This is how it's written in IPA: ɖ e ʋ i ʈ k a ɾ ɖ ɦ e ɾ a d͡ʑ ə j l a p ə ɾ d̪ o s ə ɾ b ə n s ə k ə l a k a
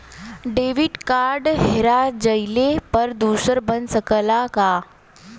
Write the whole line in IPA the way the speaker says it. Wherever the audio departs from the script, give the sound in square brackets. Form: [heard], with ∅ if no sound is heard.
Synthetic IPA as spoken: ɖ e ʋ i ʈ k a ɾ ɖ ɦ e ɾ a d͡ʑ ə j l [e] p ə ɾ d̪ [u] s ə ɾ b ə n s ə k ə l a k a